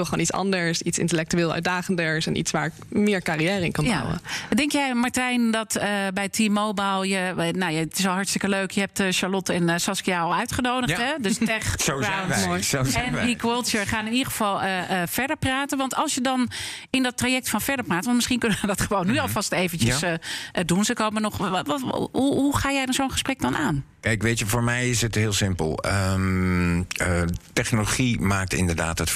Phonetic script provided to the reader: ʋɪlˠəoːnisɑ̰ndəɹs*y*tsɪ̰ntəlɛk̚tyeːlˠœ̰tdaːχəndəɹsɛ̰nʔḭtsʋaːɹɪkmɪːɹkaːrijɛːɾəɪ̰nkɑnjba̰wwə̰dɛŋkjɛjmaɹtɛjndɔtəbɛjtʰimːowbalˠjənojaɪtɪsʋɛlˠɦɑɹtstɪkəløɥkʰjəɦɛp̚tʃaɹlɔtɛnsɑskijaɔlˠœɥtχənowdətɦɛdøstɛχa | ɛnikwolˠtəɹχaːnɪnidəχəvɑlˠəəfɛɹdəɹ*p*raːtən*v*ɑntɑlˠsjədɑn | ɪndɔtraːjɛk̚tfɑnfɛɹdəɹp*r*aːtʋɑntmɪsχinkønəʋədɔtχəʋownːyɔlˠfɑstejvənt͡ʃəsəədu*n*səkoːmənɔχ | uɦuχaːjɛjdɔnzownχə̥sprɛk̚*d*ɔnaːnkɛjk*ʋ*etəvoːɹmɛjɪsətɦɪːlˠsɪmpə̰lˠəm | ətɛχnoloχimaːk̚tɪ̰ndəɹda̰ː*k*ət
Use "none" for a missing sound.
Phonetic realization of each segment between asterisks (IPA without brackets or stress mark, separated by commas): i, p, ʋ, r, n, d, ʋ, t